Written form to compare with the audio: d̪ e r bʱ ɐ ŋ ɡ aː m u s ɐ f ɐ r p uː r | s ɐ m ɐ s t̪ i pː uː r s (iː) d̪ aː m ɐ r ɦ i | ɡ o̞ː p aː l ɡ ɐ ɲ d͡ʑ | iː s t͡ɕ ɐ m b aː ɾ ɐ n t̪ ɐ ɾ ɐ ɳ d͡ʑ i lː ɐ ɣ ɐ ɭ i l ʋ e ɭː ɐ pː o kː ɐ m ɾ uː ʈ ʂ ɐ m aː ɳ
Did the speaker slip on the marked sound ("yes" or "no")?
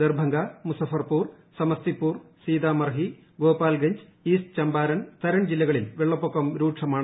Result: no